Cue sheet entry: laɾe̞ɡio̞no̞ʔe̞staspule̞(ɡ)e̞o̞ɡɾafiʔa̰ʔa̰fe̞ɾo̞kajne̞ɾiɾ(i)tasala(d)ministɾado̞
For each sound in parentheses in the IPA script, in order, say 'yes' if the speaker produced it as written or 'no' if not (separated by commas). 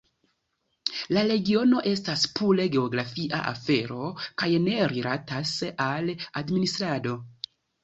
yes, no, yes